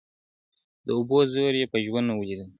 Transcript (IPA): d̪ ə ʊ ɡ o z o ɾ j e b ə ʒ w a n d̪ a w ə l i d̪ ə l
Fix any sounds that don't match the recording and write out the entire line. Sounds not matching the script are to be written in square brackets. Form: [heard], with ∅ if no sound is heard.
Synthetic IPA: d̪ ə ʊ [b] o z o ɾ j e [p] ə ʒ w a n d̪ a w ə l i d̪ ə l